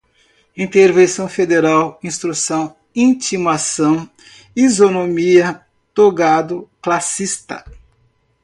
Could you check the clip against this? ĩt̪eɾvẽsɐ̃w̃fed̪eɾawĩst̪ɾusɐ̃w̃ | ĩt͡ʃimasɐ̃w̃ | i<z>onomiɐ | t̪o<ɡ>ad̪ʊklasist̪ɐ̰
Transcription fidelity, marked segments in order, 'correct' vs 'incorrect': correct, correct

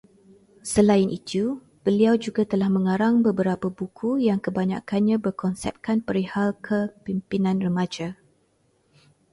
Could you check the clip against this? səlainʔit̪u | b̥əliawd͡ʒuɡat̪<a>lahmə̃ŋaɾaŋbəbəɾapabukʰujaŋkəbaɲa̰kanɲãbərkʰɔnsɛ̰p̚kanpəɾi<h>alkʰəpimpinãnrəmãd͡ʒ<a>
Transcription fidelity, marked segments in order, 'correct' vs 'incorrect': incorrect: ə, correct, correct

